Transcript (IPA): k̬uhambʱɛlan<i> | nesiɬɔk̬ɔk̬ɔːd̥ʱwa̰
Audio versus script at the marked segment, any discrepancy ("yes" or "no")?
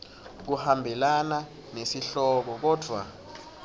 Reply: yes